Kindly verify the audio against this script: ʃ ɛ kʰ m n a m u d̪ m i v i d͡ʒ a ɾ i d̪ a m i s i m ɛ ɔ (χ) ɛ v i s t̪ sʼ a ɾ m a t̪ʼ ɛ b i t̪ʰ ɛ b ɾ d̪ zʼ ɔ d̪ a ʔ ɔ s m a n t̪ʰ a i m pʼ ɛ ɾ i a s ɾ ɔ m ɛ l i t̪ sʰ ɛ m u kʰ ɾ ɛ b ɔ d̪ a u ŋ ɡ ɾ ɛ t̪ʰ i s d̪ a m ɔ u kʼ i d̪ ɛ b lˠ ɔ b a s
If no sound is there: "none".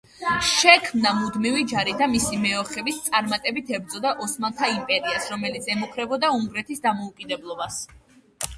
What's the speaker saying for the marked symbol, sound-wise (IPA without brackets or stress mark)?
χ